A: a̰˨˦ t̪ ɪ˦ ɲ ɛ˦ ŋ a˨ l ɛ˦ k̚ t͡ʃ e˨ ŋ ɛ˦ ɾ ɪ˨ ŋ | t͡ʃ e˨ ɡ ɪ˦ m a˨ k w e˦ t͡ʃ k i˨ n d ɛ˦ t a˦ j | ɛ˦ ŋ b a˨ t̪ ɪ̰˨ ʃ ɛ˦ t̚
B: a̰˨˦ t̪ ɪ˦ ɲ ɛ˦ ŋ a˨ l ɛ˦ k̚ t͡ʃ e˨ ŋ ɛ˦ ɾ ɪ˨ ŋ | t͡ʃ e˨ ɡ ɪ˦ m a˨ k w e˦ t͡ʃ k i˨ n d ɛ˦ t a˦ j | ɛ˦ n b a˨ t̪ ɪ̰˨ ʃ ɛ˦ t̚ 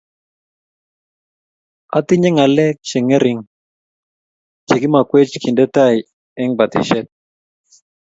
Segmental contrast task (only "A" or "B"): A